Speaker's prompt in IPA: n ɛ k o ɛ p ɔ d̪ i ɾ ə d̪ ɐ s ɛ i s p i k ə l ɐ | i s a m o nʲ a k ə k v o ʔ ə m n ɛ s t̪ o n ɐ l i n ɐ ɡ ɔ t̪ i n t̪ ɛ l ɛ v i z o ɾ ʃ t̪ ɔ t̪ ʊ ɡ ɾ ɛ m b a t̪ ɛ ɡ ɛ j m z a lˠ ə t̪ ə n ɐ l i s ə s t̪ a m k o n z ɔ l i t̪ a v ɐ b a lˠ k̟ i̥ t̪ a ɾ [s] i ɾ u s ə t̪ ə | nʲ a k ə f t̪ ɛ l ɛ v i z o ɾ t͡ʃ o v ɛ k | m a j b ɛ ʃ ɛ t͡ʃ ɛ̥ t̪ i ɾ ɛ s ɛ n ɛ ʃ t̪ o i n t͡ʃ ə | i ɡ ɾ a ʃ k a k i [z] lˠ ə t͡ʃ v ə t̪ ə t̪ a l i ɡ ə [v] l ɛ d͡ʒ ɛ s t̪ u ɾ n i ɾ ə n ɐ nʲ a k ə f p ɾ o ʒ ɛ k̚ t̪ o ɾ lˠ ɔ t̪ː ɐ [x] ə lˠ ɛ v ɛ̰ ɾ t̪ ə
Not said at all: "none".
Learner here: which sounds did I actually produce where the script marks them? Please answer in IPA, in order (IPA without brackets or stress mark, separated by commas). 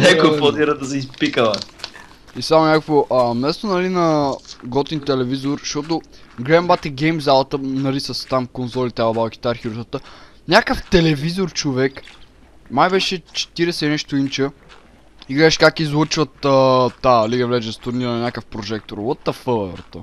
x, z, v, f